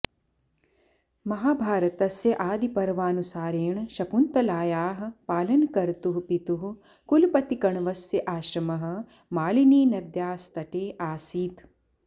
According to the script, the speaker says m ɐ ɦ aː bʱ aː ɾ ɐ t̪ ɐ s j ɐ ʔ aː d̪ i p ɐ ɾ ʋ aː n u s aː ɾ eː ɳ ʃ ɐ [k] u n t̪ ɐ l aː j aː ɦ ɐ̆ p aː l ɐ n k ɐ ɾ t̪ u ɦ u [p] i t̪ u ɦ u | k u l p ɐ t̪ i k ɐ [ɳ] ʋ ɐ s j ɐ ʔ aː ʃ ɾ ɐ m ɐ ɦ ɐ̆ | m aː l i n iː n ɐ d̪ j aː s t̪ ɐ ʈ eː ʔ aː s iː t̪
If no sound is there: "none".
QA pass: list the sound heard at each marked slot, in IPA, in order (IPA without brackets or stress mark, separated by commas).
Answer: p, p, ɳ